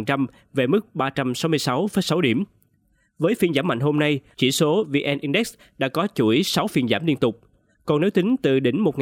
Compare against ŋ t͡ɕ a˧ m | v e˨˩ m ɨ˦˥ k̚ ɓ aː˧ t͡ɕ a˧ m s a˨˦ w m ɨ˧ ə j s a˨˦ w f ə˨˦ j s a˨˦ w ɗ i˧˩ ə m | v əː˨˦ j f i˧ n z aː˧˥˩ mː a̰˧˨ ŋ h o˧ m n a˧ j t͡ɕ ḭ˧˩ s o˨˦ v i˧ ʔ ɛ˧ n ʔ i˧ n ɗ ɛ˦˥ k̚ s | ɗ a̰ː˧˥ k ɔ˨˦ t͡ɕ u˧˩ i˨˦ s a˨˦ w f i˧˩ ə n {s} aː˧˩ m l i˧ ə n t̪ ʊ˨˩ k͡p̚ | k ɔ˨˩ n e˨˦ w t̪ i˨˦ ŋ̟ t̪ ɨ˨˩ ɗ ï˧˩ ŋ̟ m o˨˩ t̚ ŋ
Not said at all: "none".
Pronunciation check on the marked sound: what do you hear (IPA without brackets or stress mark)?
z